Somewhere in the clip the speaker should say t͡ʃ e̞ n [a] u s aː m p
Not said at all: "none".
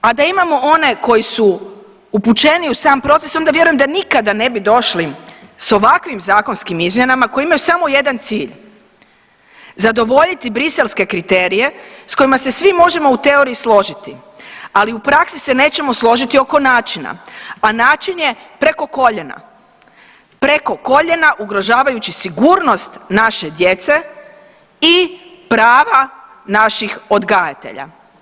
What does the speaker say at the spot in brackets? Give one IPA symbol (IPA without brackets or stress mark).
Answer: i